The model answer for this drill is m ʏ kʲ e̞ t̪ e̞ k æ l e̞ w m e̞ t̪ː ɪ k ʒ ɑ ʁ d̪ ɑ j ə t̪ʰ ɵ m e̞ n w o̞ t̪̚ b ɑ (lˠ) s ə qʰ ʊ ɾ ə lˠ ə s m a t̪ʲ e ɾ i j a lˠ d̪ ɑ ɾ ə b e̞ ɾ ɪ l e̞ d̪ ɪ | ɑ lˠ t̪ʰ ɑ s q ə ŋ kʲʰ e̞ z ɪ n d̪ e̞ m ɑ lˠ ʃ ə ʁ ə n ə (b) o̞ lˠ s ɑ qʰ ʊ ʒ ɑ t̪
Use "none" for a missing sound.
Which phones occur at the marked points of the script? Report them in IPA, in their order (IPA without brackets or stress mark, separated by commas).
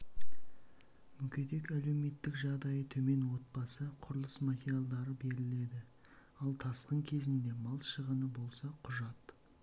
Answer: none, b